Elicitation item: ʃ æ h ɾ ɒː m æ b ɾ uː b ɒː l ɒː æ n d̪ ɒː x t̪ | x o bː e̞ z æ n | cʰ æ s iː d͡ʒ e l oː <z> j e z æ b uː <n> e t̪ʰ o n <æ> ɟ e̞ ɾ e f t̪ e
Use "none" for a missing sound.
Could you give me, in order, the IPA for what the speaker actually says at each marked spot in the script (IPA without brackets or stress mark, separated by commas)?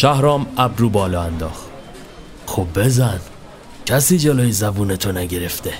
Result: none, n, æ